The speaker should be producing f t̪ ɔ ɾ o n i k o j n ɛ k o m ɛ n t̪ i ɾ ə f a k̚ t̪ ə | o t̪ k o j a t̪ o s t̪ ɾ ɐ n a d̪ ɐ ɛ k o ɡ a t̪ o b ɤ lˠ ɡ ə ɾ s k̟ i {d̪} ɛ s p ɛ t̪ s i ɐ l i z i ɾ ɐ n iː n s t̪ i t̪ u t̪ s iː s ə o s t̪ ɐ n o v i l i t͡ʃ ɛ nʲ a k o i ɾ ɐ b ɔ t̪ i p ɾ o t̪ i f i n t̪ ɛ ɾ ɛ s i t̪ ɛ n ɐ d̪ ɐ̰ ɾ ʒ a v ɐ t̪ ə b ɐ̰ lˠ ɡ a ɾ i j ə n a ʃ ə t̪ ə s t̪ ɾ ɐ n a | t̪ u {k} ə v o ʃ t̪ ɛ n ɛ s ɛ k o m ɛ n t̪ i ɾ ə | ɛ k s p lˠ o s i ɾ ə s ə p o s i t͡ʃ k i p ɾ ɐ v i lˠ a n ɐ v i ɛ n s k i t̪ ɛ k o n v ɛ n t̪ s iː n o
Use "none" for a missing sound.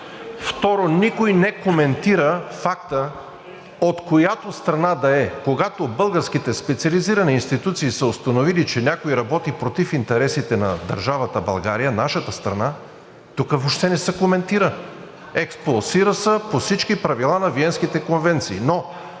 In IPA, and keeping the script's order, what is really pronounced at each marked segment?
t̪, k

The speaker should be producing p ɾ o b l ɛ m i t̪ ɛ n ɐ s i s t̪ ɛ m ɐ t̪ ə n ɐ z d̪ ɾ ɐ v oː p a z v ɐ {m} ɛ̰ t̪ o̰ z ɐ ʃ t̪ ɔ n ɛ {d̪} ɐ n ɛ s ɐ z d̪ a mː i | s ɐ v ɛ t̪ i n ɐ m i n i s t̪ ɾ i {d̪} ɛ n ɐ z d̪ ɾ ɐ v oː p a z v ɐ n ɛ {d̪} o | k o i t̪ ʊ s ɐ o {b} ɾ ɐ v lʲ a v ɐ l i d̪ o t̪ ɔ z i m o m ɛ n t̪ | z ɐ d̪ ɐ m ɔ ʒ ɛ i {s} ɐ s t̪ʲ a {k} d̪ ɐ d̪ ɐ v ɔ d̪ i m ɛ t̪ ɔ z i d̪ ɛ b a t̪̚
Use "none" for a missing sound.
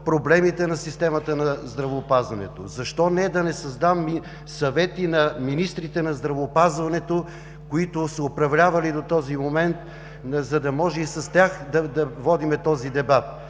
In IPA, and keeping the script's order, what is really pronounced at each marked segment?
n, d̪, t̪, t̪, p, s, x

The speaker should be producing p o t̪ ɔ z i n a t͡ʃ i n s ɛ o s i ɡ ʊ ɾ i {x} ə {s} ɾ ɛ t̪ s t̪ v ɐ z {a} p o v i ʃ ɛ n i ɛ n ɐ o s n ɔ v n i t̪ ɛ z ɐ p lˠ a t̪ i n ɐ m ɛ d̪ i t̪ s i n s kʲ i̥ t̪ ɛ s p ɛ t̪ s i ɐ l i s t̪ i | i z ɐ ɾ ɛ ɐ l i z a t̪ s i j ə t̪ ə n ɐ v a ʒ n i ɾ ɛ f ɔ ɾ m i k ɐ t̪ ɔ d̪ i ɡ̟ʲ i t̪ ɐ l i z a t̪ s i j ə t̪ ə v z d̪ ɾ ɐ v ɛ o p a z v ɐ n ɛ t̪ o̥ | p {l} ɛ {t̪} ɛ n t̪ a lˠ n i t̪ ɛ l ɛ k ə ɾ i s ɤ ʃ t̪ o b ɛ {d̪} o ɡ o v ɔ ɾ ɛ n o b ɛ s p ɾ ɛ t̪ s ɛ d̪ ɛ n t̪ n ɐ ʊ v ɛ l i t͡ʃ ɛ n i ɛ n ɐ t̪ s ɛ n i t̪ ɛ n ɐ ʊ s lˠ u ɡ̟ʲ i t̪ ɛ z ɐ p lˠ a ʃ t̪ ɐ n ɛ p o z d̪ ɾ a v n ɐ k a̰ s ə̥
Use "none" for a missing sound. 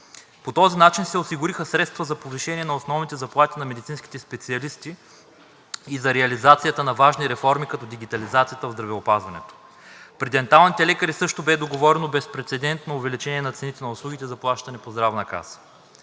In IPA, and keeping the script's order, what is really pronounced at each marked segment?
x, s, ɐ, ɾ, d̪, d̪

